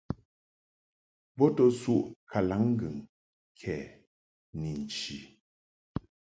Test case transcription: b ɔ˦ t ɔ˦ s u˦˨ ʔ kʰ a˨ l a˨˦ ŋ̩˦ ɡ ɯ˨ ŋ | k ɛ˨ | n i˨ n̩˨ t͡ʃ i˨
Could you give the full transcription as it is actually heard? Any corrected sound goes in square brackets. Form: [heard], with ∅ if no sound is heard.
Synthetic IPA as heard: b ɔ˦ t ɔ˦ s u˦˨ ʔ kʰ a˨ l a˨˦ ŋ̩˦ ɡ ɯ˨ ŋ | [kʰ] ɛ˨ | n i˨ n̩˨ t͡ʃ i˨